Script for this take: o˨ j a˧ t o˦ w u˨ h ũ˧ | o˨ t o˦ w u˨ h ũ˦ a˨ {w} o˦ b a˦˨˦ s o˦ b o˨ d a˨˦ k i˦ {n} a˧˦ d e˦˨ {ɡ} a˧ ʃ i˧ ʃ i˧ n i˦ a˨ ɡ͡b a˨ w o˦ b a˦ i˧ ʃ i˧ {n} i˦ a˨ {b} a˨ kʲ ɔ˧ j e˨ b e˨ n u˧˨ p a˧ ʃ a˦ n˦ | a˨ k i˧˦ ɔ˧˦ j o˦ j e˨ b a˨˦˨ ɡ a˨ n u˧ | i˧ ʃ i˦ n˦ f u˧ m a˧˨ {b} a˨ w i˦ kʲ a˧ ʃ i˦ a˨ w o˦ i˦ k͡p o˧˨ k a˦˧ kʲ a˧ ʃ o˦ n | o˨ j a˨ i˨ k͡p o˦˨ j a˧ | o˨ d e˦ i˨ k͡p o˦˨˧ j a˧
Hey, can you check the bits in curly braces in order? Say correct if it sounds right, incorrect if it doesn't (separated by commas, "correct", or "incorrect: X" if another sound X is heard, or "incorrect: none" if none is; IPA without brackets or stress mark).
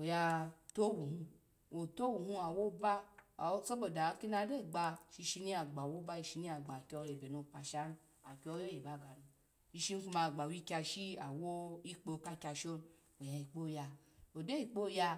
correct, correct, incorrect: ɡ͡b, correct, incorrect: ɡ͡b, incorrect: ɡ͡b